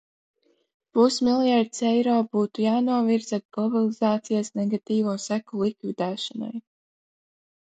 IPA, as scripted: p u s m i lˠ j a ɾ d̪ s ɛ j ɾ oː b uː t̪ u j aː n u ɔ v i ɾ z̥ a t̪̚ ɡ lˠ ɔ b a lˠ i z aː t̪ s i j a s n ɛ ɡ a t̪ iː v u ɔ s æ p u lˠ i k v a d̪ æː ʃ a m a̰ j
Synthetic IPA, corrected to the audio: p u s m i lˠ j a ɾ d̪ s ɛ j ɾ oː b uː t̪ u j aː n u ɔ v i ɾ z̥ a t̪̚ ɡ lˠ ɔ b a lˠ i z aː t̪ s i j a s n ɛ ɡ a t̪ iː v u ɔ s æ k u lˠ i k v i d̪ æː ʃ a n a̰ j